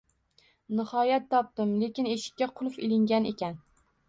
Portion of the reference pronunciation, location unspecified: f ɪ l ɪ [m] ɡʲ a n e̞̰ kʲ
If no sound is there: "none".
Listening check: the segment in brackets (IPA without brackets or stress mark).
ŋ